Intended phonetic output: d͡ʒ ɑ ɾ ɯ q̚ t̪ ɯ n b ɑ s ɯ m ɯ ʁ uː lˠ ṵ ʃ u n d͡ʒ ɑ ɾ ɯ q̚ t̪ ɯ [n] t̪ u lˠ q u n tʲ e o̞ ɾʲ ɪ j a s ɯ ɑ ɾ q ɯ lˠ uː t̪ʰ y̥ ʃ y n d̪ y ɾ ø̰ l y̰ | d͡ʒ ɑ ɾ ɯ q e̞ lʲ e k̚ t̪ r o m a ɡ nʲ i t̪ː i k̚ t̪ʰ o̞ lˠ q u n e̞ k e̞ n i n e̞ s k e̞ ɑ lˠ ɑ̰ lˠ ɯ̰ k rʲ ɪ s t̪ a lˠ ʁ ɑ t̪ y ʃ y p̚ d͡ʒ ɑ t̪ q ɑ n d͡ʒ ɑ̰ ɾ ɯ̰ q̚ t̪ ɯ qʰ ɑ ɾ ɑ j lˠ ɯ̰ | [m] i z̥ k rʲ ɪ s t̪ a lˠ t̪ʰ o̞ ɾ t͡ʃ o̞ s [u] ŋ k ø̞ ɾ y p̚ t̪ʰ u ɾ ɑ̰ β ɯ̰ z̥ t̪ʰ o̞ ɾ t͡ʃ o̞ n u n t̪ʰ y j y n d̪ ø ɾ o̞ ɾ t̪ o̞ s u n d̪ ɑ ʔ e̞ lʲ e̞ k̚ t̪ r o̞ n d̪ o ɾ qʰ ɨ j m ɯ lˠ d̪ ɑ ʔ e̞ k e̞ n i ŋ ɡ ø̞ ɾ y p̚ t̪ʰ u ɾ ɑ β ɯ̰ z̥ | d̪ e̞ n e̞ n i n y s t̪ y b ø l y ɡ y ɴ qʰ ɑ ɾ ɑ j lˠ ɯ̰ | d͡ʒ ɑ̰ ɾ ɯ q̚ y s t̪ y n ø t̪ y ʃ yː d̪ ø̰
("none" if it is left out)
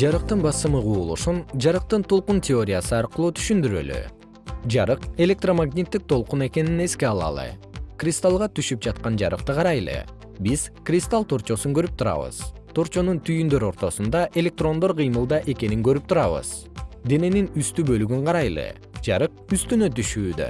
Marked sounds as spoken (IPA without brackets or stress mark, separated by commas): n, b, u